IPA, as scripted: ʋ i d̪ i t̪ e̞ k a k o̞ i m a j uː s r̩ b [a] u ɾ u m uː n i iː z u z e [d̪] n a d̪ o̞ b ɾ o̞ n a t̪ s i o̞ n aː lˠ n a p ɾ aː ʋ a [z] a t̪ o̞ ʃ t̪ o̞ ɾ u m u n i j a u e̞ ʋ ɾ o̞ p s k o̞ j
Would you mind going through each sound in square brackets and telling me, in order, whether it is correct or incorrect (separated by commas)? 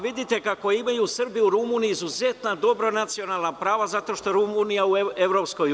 incorrect, incorrect, correct